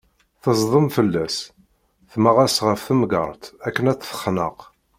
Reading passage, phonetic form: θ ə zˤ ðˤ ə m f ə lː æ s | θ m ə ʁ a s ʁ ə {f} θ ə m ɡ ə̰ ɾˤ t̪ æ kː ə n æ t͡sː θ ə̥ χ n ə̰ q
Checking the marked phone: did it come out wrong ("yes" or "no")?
no